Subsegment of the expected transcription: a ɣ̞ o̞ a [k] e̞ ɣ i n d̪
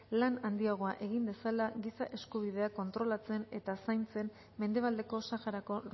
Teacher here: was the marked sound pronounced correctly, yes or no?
no